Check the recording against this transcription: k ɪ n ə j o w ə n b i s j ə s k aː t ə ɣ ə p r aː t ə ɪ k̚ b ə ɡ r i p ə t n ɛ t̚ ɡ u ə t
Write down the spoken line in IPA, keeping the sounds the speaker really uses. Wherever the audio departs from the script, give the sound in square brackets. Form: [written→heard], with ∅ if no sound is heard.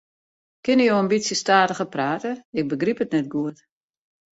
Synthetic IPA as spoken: k ɪ n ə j o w ə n b i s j ə s [k→t] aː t ə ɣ ə p r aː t ə ɪ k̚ b ə ɡ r i p ə t n ɛ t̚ ɡ u ə t